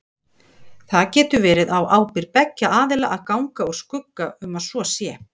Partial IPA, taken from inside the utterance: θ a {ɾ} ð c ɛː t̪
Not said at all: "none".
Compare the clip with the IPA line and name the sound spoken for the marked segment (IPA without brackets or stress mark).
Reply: none